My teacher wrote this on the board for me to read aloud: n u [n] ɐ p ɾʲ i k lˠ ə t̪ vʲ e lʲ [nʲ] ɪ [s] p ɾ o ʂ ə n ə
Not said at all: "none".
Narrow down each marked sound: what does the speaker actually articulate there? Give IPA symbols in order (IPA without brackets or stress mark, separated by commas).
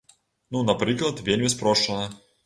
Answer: n, mʲ, s